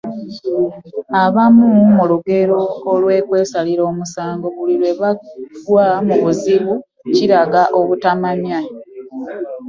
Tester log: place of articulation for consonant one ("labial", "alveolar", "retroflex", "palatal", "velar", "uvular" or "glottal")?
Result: labial